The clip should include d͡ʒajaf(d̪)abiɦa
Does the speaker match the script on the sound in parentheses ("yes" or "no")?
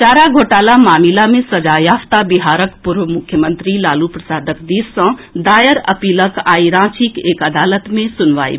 no